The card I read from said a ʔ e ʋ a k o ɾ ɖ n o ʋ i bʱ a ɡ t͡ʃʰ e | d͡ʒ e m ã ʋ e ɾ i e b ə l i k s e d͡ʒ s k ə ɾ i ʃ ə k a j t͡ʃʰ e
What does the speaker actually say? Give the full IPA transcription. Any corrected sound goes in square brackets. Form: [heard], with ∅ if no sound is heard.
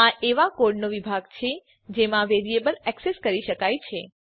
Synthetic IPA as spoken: a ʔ e ʋ a k o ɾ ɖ n o ʋ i bʱ a ɡ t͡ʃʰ e | d͡ʒ e m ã ʋ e ɾ i e b ə l [ɛ] k s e [∅] s k ə ɾ i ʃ ə k a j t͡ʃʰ e

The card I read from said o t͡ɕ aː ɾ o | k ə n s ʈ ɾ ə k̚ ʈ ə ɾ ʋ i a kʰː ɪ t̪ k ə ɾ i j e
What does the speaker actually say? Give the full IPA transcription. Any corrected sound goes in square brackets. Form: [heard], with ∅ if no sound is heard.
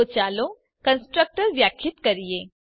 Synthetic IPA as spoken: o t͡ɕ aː [l] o | k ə n s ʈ ɾ ə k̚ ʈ ə ɾ ʋ [j] a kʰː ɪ t̪ k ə ɾ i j e

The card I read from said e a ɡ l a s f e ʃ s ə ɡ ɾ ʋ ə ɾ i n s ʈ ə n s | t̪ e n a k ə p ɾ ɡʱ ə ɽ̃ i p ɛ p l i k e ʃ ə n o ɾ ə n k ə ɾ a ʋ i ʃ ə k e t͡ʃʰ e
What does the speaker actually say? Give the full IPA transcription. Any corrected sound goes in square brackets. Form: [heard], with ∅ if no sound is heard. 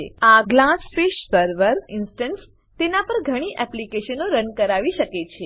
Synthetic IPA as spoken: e a ɡ l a s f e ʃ s ə [∅] ɾ ʋ ə ɾ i n s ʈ ə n s | t̪ e n a [p] ə [∅] ɾ ɡʱ ə ɽ̃ i [ʔ] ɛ p l i k e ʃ ə n o ɾ ə n k ə ɾ a ʋ i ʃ ə k e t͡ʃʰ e

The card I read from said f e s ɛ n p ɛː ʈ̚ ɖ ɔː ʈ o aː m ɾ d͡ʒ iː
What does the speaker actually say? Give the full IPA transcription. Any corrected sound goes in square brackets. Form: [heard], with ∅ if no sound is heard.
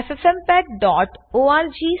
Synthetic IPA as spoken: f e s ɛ [m] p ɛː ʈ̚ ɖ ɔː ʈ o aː [∅] ɾ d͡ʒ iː

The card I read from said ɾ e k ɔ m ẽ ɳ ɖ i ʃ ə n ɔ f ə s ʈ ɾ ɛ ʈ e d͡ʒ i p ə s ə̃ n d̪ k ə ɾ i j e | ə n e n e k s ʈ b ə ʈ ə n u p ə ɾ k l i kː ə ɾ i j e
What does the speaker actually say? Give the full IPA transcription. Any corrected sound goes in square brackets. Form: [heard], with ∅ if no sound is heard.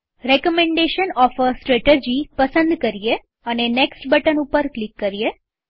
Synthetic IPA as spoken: ɾ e k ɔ m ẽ ɳ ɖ [e] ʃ ə n ɔ f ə s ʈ ɾ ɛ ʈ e d͡ʒ i p ə s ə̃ n d̪ k ə ɾ i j e | ə n e n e k s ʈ b ə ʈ ə n u p ə ɾ k l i kː ə ɾ i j e

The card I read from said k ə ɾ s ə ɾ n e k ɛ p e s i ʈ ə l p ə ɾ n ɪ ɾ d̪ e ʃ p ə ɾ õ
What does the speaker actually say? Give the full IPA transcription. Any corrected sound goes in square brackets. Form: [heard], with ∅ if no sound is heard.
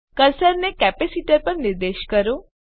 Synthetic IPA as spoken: k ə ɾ s ə ɾ n e k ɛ p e s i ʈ ə [ɾ] p ə ɾ n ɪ ɾ d̪ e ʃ [k] ə ɾ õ

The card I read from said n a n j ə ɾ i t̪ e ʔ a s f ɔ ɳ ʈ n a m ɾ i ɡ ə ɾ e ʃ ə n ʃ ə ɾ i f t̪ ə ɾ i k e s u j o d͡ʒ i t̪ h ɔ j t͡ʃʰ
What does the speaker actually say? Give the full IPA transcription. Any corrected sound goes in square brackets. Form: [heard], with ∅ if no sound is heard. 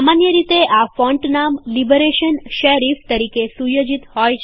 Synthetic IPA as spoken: [m] a n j ə ɾ i t̪ e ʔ a [∅] f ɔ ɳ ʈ n a m [l] i [b] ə ɾ e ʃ ə n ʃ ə ɾ i f t̪ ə ɾ i k e s u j o d͡ʒ i t̪ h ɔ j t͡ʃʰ

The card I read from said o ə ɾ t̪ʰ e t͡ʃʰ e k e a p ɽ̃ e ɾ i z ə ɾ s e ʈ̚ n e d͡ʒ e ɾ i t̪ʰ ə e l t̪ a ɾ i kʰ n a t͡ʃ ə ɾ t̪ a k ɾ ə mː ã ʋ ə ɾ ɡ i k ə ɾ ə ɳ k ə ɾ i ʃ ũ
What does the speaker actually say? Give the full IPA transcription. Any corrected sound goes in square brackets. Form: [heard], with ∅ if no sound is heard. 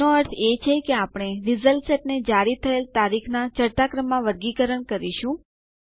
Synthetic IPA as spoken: o ə ɾ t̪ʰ e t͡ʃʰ e k e a p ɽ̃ e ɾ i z ə [l] s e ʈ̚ n e d͡ʒ [a] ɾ i t̪ʰ ə e l t̪ a ɾ i kʰ n a t͡ʃ ə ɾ t̪ a k ɾ ə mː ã ʋ ə ɾ ɡ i k ə ɾ ə ɳ k ə ɾ i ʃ ũ

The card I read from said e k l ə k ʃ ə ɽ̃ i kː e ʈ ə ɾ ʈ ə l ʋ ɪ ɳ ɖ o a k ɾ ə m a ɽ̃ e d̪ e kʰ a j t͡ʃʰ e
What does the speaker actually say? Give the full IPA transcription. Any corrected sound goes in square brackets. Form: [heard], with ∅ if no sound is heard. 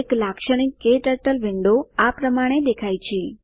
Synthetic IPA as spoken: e k l [a] k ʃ ə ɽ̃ i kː e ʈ ə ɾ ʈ ə l ʋ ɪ ɳ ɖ o a [p] ɾ ə m a ɽ̃ e d̪ e kʰ a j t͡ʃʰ e

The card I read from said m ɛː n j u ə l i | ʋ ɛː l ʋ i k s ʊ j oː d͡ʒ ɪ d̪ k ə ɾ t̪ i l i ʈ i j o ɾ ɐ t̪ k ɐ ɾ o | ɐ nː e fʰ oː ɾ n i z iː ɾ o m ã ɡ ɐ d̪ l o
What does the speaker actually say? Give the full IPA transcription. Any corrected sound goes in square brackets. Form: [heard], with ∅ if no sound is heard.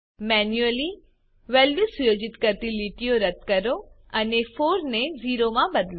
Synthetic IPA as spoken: m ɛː n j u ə l i | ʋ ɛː l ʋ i [∅] s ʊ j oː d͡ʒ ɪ [t̪] k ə ɾ t̪ i l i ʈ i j o ɾ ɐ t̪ k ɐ ɾ o | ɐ [n] e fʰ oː ɾ n [e] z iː ɾ o m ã [b] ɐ d̪ l o

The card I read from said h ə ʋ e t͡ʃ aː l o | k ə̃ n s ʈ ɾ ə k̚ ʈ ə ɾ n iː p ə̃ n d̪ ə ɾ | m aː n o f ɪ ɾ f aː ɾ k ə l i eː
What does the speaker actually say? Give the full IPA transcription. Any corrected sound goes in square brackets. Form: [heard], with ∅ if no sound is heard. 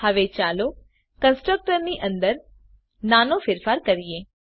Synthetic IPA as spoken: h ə ʋ e t͡ʃ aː l o | k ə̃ n s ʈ ɾ ə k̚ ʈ ə ɾ n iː [ʔ] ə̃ n d̪ ə ɾ | [n] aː n o f ɪ ɾ f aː ɾ k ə [ɾ] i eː

